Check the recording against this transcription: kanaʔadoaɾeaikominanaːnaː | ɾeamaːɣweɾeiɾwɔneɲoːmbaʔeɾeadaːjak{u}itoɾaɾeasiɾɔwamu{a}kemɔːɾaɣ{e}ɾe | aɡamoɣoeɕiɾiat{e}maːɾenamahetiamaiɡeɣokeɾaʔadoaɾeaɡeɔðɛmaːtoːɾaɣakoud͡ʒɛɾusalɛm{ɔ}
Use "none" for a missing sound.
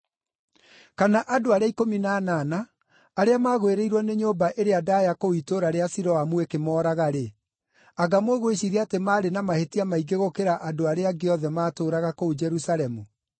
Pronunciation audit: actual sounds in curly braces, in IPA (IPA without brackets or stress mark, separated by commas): o, e, a, e, u